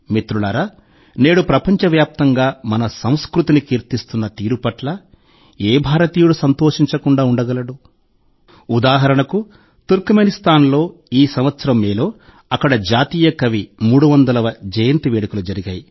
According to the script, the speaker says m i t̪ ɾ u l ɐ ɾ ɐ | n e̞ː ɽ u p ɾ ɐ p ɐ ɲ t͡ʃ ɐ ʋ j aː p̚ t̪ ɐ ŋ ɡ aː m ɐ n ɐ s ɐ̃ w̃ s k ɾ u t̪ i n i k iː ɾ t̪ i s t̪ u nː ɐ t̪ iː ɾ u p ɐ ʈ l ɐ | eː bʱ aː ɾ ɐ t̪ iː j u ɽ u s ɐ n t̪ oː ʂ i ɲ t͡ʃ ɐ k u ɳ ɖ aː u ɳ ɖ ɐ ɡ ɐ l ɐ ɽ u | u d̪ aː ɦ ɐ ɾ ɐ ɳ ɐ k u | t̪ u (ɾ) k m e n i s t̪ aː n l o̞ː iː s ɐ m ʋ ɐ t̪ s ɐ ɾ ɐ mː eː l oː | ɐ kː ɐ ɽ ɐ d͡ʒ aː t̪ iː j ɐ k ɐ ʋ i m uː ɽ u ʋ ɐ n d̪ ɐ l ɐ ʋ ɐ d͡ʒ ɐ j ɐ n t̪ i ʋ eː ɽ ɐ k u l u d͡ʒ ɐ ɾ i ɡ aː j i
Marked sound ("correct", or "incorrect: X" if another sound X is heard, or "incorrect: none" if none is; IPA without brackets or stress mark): correct